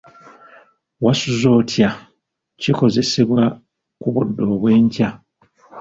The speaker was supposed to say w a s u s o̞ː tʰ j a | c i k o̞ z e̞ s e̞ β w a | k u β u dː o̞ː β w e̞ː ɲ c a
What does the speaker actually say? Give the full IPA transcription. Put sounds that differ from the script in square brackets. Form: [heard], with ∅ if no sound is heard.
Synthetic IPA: w a s u [z] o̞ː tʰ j a | c i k o̞ z e̞ s e̞ β w a | k u β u dː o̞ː β w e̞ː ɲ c a

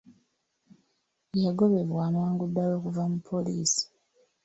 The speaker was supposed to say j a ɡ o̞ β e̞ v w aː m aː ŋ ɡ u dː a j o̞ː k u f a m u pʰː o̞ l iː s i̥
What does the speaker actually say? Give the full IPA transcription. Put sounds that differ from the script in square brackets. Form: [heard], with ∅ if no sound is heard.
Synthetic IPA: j a ɡ o̞ β e̞ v w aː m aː ŋ ɡ u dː a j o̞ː k u [v] a m u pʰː o̞ l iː s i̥

